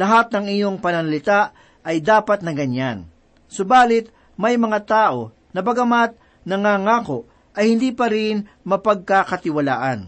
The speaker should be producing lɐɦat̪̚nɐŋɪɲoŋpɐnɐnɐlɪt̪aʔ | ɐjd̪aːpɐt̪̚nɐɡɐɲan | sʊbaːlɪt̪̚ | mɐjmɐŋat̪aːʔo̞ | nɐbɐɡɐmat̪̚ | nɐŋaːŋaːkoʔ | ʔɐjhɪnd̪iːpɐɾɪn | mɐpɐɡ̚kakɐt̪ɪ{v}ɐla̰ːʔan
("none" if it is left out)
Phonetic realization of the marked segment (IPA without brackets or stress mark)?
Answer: w